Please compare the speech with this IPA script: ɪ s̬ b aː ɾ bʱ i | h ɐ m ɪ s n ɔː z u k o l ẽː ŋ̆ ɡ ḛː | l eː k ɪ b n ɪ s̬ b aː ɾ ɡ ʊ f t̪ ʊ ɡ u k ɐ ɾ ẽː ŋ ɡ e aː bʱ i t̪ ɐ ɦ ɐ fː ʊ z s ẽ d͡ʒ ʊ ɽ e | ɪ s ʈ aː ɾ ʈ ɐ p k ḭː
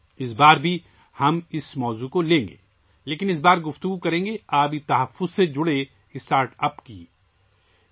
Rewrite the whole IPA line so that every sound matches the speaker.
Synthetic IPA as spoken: ɪ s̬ b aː ɾ bʱ i | h ɐ m ɪ s m ɔː z u k o l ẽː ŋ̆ ɡ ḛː | l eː k ɪ n ɪ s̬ b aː ɾ ɡ ʊ f t̪ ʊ ɡ u k ɐ ɾ ẽː ŋ ɡ e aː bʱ i t̪ ɐ ɦ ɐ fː ʊ z s e d͡ʒ ʊ ɽ e | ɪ s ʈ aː ɾ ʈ ɐ p k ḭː

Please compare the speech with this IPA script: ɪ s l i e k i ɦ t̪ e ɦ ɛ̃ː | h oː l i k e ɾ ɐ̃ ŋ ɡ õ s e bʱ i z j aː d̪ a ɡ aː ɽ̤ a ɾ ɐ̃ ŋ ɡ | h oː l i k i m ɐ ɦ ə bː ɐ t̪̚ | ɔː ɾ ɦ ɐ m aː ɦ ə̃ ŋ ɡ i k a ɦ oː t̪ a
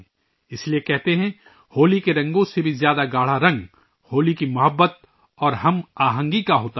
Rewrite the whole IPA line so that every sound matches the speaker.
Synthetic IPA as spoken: ɪ s l i e k ɛ ɦ t̪ e ɦ ɛ̃ | h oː l i k e ɾ ɐ̃ ŋ ɡ õ s e bʱ i z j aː d̪ a ɡ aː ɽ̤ a ɾ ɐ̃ ŋ ɡ | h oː l i k i m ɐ ɦ ə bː ə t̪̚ | ɔː ɾ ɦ ɐ m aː ɦ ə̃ ŋ ɡ i k a ɦ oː t̪ a

